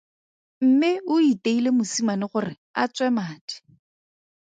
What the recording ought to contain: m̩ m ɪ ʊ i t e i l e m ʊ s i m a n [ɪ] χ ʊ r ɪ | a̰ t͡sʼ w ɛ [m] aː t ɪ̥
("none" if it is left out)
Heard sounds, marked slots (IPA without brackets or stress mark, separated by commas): ɪ, m